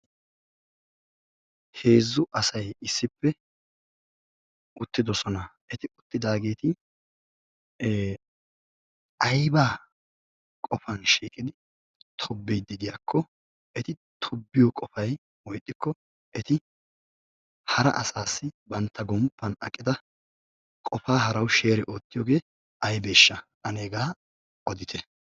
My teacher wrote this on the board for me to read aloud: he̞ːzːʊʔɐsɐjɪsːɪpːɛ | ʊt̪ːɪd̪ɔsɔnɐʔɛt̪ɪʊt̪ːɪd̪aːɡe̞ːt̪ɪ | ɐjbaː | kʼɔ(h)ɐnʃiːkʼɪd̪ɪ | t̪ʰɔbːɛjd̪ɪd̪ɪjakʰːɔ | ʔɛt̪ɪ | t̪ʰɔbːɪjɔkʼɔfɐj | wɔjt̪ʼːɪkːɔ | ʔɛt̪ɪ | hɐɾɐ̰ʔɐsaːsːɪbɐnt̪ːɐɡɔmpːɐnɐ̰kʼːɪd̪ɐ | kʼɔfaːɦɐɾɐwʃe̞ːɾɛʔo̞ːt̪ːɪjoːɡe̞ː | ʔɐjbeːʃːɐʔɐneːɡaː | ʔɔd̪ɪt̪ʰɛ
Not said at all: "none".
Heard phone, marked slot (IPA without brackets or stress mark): f